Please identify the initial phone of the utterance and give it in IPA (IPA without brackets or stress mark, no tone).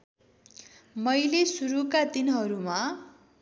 m